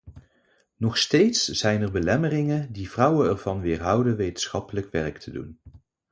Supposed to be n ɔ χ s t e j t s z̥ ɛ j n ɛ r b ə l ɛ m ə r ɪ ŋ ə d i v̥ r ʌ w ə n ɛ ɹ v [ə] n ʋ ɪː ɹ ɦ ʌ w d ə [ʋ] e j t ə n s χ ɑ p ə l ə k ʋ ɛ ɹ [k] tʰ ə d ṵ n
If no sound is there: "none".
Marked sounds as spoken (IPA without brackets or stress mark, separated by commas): ɑ, ʋ, k